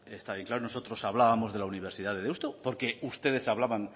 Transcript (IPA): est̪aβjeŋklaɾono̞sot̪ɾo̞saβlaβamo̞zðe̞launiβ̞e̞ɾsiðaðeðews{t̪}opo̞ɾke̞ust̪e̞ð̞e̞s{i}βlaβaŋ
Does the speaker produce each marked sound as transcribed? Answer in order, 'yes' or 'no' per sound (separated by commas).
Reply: yes, no